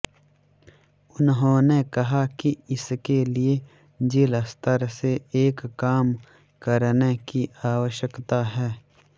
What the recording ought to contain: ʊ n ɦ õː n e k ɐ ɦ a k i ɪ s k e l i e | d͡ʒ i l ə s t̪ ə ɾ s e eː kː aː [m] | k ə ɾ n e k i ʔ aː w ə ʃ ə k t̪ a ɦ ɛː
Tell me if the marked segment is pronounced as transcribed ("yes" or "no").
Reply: yes